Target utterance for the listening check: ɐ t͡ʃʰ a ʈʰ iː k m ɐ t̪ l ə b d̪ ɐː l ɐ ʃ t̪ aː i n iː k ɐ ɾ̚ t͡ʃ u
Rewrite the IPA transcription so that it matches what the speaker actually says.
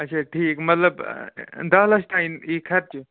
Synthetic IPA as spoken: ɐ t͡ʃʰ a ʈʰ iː k m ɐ t̪ l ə b d̪ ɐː l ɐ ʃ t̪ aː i n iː kʰ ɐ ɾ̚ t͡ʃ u